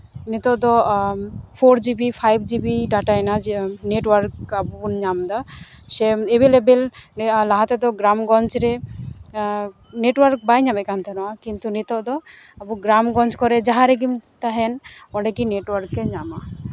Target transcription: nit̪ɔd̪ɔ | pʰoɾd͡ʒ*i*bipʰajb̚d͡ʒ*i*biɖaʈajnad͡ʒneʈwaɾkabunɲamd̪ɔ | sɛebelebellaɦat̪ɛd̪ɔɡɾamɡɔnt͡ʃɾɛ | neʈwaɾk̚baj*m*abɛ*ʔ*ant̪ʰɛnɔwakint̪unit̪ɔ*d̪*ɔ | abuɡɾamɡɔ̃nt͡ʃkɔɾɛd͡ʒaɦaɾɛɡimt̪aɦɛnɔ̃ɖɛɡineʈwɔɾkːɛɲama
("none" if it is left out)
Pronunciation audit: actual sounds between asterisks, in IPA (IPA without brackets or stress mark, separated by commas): i, i, ɲ, k, d̪